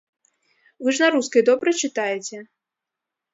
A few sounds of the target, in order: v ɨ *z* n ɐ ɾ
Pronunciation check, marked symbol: incorrect: ʐ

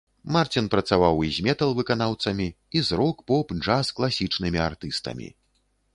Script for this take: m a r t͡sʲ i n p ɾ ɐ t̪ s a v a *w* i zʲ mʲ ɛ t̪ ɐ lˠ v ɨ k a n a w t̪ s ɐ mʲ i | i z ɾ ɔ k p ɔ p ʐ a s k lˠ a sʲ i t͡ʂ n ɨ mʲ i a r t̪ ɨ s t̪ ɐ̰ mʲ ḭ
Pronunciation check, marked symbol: correct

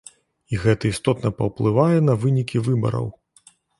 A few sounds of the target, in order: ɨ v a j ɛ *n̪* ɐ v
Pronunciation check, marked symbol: correct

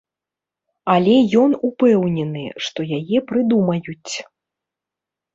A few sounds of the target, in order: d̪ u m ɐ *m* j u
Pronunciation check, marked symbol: incorrect: none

